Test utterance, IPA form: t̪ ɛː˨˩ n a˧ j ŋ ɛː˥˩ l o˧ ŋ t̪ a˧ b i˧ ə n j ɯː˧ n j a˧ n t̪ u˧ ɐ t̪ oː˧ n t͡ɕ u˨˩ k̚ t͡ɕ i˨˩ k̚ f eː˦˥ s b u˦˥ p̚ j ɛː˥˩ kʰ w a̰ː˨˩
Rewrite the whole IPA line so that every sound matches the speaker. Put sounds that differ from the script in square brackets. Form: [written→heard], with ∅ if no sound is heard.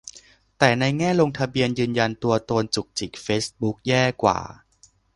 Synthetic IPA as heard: t̪ ɛː˨˩ n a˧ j ŋ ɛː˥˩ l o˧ ŋ [t̪→t̪ʰ] a˧ b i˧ ə n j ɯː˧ n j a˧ n t̪ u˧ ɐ t̪ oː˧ n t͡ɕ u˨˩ k̚ t͡ɕ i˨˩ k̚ f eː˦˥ s b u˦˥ [p̚→k̚] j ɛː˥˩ [kʰ→k] w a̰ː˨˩